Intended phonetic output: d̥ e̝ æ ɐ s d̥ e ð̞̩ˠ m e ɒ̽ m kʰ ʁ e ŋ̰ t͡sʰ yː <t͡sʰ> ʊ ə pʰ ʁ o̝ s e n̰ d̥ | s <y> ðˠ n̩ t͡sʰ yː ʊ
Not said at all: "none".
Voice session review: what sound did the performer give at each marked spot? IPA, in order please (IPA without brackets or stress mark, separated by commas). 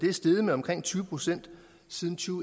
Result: none, i